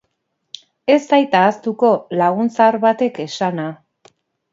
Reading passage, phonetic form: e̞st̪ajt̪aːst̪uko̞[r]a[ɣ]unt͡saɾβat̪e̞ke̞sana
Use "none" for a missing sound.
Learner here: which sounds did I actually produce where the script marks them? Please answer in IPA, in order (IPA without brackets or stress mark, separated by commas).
l, ɣ